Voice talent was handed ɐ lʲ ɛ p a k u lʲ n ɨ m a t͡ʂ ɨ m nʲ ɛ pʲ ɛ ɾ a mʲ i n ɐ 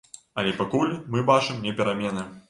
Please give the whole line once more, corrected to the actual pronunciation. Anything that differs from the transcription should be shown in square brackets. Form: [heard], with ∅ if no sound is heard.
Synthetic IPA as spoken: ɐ lʲ ɛ p a k u lʲ [m] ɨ [b] a t͡ʂ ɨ m nʲ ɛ pʲ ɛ ɾ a mʲ [ɛ] n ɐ